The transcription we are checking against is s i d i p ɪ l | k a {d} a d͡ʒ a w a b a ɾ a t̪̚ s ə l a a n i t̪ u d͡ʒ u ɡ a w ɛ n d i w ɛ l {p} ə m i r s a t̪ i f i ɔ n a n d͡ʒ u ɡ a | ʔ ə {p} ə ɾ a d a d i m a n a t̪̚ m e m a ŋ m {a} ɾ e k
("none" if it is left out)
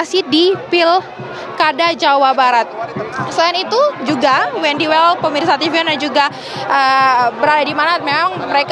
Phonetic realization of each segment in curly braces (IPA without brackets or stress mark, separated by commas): d, p, b, ə